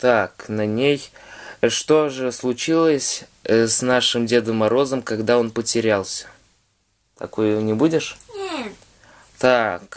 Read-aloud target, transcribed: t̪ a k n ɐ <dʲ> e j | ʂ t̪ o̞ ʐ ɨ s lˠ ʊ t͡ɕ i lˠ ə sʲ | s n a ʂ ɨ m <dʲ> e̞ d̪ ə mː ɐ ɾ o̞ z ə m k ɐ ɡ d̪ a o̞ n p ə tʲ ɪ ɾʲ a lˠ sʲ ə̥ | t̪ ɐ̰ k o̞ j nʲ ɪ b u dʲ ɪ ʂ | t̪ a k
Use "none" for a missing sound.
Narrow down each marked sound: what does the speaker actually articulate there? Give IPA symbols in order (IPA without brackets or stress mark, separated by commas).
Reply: nʲ, dʲ